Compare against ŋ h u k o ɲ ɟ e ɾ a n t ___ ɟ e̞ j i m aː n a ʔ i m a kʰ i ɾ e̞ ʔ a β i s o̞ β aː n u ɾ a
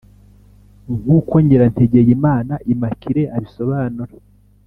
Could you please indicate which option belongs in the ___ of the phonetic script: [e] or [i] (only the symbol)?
e